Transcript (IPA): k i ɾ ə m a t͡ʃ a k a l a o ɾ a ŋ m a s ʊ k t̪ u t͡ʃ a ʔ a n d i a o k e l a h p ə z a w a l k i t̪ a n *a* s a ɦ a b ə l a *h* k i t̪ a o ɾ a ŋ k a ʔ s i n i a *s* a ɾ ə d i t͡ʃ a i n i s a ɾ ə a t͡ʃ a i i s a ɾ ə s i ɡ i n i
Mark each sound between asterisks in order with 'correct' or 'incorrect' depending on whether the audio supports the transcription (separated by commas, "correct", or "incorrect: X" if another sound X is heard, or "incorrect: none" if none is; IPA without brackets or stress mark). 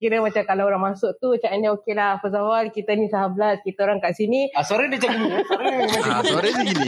incorrect: i, incorrect: s, correct